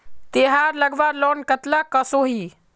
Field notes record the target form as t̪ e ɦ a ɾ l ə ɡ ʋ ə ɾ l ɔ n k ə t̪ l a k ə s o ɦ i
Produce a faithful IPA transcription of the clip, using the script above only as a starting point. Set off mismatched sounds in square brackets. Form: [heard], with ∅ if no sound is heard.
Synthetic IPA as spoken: t̪ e ɦ a ɾ l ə ɡ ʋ [a] ɾ l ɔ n k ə t̪ l a k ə s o ɦ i